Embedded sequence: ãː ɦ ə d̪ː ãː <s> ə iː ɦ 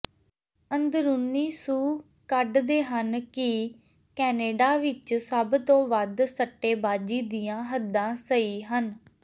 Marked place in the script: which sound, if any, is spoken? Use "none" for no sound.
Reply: s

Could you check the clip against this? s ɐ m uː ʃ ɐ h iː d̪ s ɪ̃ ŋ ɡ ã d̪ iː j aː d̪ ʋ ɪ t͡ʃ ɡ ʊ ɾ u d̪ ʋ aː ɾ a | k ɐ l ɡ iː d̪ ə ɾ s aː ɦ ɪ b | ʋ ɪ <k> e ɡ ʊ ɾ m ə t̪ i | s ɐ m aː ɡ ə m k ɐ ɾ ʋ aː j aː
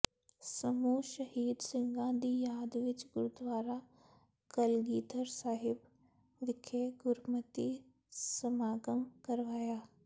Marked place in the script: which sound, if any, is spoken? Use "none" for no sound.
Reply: kʰ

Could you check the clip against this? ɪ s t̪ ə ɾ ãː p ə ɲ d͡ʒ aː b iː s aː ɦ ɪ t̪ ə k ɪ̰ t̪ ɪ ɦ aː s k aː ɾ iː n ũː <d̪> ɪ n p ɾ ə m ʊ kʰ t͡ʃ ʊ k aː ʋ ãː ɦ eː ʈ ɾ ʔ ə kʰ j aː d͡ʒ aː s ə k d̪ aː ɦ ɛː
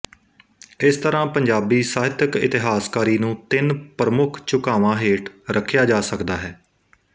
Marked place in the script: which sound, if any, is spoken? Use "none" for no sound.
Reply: t̪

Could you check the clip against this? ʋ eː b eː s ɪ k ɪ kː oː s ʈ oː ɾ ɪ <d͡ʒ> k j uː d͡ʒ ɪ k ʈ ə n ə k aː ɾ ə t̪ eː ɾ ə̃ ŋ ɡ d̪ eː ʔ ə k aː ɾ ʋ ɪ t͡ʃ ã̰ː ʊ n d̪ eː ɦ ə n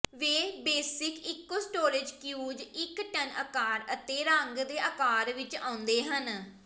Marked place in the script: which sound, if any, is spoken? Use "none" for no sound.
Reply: d͡ʒ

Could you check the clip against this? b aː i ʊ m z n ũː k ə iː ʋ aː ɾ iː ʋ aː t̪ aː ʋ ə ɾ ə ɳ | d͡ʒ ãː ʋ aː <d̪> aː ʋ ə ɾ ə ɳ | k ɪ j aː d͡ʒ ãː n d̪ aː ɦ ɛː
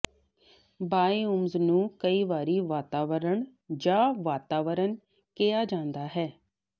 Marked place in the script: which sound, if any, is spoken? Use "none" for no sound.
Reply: t̪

